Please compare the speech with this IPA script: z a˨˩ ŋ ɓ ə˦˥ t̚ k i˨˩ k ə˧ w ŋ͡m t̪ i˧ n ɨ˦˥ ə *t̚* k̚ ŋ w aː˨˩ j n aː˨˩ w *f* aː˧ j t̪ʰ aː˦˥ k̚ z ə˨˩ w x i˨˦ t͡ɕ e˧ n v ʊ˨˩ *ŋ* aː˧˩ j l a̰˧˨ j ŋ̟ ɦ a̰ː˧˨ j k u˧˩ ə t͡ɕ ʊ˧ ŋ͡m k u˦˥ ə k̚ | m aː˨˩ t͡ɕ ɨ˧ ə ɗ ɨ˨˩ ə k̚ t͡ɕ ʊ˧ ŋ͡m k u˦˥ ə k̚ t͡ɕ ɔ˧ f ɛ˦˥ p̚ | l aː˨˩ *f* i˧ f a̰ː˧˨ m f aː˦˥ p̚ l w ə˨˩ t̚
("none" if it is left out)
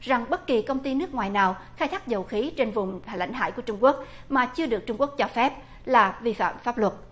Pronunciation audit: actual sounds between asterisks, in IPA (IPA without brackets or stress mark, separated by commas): none, x, ŋ͡m, v